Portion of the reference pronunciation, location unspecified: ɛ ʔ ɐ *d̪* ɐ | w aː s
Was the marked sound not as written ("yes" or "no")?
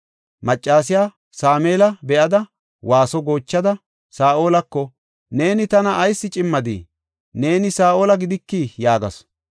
no